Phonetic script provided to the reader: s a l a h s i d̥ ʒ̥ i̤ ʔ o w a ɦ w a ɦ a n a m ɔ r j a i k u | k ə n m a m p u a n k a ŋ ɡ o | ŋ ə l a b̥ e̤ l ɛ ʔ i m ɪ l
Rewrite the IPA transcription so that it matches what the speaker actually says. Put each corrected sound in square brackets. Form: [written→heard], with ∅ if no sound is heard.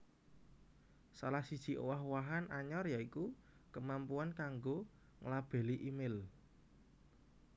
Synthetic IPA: s a l a h s i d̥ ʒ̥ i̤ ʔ o w a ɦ w a ɦ a n a [m→ɲ] ɔ r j a i k u | k ə [n→∅] m a m p u a n k a ŋ ɡ o | ŋ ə l a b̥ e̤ l [ɛ→i] ʔ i m ɪ l